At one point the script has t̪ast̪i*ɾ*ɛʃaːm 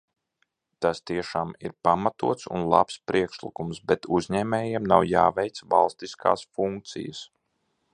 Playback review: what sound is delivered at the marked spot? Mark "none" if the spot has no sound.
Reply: none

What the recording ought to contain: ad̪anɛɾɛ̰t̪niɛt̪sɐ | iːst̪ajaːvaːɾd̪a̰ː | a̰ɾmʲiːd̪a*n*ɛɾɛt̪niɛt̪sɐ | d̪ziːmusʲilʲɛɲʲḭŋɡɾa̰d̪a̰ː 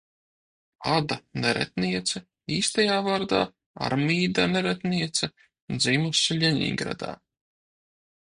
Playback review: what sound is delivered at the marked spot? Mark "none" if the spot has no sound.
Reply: n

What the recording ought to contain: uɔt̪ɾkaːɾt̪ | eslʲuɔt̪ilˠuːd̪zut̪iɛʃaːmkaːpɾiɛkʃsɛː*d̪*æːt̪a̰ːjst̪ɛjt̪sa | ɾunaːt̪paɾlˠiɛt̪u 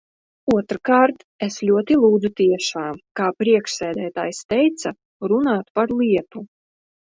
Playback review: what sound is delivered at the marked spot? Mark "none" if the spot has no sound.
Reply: d̪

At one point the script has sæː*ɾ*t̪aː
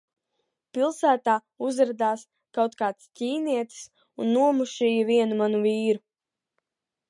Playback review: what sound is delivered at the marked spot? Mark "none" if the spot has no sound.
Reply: none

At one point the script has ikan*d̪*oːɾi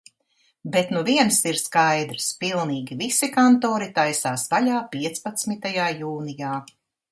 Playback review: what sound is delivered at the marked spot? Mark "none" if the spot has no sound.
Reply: t̪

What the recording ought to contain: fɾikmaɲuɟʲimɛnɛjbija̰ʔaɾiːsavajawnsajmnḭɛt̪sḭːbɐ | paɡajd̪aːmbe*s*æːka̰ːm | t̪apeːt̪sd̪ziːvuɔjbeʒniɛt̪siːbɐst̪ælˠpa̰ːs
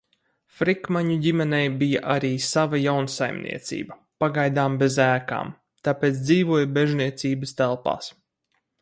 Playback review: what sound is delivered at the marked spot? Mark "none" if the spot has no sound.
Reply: z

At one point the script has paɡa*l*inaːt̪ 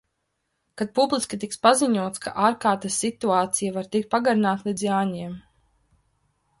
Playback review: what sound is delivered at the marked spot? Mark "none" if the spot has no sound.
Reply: ɾ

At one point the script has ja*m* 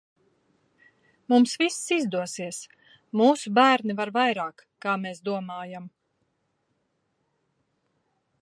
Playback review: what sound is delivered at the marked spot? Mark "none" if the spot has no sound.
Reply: m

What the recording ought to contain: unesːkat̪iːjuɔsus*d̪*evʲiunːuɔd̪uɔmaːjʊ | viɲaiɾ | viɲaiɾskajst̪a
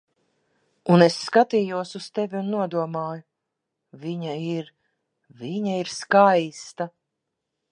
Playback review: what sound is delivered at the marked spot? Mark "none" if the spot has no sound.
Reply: t̪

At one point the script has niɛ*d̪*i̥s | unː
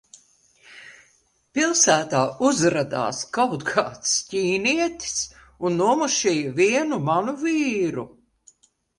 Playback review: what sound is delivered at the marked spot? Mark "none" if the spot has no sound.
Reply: t̪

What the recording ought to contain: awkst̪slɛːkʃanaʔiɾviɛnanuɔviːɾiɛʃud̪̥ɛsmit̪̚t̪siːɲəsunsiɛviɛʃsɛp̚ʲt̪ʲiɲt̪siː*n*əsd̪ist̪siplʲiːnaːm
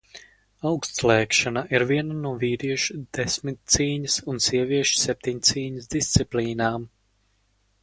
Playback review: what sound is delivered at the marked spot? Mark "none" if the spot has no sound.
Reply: ɲ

